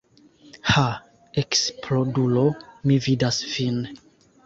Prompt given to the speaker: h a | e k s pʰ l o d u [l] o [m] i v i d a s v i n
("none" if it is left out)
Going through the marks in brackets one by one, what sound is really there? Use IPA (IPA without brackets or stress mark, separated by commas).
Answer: l, m